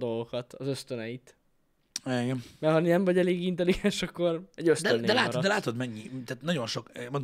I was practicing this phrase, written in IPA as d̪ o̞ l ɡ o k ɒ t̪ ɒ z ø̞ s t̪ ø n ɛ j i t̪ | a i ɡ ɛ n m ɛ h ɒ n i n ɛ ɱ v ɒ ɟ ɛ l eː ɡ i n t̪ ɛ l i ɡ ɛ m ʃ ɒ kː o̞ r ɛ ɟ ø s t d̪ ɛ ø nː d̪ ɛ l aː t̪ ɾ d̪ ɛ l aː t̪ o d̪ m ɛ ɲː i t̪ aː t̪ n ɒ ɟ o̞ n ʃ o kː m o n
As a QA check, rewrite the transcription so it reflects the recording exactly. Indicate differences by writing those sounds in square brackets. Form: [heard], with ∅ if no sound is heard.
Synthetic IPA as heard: d̪ o̞ l ɡ o k ɒ t̪ ɒ z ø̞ s t̪ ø n ɛ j i t̪ | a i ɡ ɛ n m ɛ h ɒ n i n ɛ ɱ v ɒ ɟ ɛ l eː ɡ i n t̪ ɛ l i ɡ ɛ [n] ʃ ɒ kː o̞ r ɛ ɟ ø s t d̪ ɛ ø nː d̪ ɛ l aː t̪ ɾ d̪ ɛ l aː t̪ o d̪ m ɛ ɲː i t̪ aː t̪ n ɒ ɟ o̞ n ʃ o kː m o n